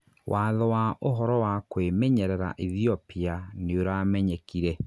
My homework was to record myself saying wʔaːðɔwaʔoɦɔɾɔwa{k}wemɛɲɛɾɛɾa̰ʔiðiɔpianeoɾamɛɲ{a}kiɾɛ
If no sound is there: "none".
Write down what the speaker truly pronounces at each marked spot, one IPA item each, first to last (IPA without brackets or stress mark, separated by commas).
k, ɛ